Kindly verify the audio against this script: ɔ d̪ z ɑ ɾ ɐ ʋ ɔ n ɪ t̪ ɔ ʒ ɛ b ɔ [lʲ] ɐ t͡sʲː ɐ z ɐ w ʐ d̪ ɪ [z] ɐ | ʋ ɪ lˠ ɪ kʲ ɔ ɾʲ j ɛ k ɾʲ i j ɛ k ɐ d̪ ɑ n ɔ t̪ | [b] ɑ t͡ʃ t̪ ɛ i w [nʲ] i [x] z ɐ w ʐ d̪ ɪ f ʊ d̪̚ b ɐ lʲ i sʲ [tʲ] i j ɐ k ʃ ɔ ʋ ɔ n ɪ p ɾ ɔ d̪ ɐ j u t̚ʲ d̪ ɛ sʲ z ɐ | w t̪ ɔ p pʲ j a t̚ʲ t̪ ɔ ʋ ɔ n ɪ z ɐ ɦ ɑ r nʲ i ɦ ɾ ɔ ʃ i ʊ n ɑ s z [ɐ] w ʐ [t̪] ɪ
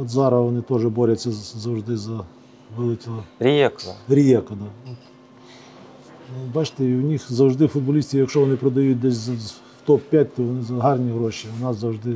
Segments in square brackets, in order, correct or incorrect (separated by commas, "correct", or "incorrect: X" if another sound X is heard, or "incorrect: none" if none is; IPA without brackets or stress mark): incorrect: ɾʲ, correct, correct, correct, correct, correct, correct, incorrect: d̪